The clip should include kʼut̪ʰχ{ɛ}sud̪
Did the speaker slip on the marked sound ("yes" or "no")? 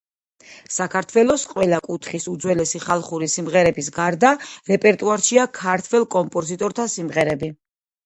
yes